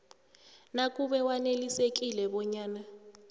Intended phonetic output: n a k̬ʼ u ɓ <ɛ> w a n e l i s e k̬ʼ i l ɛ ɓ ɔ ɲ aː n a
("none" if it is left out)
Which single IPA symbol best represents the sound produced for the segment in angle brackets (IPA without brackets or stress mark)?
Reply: ɛ